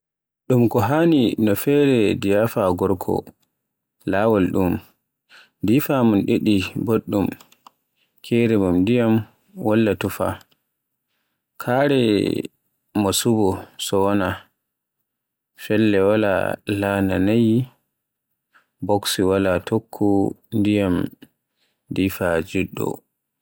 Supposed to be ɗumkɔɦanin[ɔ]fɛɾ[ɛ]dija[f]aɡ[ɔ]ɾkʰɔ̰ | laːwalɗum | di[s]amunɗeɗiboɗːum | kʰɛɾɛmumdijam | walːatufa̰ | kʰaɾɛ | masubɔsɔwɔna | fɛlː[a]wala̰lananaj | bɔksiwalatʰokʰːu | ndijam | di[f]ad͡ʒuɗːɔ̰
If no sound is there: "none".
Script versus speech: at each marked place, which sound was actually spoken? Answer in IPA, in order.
ɔ, ɛ, f, ɔ, f, ɛ, f

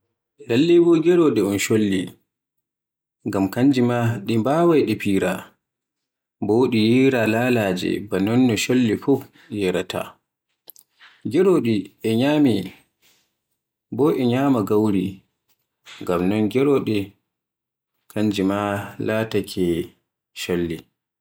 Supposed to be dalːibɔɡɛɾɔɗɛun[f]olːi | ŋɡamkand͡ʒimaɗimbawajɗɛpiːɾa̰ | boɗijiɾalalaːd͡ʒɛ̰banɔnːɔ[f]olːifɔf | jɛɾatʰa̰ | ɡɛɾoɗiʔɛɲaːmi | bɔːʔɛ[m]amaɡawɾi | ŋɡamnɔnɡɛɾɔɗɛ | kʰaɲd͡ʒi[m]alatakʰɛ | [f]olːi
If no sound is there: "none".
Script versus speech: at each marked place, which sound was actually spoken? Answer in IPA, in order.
ʃ, ʃ, ɲ, m, ʃ

